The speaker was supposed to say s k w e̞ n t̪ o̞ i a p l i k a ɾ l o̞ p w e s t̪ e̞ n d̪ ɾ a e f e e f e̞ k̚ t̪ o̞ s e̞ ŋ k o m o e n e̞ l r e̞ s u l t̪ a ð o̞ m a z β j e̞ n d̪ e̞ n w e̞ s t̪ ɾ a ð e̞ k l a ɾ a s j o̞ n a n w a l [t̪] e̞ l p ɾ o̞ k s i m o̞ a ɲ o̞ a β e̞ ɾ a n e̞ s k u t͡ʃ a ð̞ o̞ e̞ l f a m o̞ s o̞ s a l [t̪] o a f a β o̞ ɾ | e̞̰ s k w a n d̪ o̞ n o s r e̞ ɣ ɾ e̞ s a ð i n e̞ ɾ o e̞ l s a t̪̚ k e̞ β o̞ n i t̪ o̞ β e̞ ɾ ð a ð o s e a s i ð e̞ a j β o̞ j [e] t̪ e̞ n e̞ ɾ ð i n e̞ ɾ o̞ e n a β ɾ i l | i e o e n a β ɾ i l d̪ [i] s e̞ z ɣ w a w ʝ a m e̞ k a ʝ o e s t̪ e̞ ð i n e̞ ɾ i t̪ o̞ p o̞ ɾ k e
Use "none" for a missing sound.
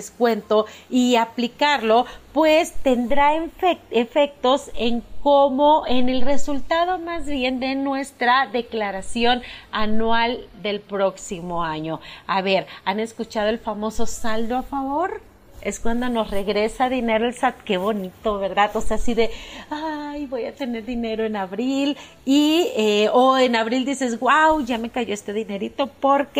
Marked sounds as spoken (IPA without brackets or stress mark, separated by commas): d̪, d̪, a, i